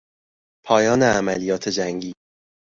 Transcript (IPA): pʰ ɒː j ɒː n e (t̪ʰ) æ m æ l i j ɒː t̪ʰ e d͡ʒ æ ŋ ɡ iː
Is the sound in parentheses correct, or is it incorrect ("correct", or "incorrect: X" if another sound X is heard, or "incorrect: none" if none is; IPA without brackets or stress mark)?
incorrect: none